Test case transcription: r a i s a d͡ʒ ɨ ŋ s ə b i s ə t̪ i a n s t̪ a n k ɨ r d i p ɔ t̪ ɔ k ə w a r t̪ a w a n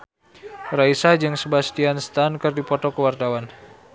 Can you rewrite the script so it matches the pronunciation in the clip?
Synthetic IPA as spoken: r a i s a d͡ʒ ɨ ŋ s ə b a s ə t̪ i a n s t̪ a n k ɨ r d i p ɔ t̪ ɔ k ə w a r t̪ a w a n